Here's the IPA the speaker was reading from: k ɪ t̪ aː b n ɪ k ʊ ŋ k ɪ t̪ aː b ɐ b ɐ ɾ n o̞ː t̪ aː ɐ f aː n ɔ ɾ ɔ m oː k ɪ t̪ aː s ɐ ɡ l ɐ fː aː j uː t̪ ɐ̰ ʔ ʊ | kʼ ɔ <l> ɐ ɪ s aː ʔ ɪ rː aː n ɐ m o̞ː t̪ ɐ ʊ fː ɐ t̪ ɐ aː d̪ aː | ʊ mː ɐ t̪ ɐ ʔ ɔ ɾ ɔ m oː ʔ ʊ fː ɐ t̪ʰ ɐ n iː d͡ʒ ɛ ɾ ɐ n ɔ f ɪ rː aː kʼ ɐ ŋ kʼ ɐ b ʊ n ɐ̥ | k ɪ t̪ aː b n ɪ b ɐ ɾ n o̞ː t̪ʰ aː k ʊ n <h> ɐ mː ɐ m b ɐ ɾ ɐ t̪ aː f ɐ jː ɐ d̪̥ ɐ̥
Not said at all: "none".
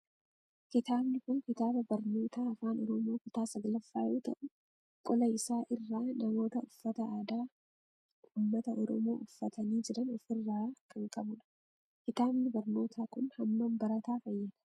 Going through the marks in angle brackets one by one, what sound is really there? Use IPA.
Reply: l, h

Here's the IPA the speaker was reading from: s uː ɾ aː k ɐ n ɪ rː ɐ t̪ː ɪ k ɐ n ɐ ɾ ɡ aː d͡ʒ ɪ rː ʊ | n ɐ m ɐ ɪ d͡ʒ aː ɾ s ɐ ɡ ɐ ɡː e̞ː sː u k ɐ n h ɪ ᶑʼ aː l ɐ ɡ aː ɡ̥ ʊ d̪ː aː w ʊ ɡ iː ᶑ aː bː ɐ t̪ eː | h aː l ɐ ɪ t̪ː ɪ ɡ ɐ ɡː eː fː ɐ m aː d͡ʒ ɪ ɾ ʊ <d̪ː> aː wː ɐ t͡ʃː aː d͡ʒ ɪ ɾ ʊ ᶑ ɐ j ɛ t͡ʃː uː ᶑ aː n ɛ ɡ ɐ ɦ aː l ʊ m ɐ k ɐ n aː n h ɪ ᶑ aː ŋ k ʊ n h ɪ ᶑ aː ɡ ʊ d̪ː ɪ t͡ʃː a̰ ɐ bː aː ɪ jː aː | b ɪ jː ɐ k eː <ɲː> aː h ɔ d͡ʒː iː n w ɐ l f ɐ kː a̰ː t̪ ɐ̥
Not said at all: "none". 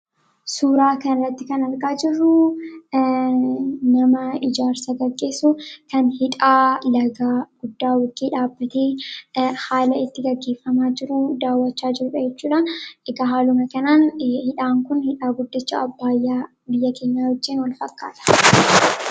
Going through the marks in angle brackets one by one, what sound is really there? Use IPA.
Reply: d̪, ɲː

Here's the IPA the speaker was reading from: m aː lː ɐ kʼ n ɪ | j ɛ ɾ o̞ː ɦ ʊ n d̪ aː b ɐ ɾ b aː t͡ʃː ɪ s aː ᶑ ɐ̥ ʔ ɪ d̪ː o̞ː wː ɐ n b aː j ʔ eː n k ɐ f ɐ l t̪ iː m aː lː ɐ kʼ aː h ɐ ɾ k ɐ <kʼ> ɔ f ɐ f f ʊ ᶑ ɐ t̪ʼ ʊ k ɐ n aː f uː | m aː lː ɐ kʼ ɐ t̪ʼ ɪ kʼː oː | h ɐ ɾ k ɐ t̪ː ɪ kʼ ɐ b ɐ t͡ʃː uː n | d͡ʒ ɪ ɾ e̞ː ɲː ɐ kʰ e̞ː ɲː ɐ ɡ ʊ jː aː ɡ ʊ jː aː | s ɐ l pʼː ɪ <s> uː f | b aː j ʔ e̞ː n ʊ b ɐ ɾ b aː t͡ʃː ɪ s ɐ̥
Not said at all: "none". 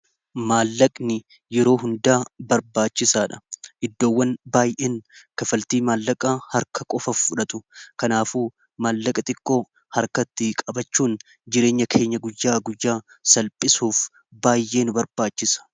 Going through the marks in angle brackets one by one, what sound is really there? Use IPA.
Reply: kʼ, s

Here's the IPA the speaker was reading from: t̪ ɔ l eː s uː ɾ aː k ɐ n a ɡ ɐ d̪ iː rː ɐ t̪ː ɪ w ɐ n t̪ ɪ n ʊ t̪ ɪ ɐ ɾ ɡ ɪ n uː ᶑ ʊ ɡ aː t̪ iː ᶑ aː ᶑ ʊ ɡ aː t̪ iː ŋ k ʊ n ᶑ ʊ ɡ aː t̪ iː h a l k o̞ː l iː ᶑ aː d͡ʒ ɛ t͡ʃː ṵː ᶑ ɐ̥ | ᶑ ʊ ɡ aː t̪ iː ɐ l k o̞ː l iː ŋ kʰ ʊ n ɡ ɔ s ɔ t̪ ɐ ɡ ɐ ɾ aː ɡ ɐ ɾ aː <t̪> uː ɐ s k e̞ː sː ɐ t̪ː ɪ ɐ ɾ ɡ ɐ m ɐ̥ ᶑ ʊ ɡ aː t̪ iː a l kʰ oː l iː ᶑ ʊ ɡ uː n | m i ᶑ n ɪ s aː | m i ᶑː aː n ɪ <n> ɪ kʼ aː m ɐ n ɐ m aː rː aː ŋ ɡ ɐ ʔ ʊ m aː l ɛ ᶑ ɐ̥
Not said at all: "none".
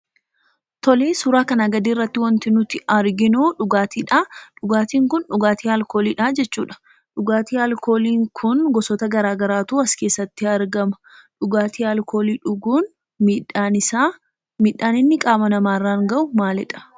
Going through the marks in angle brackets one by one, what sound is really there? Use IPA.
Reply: t̪, nː

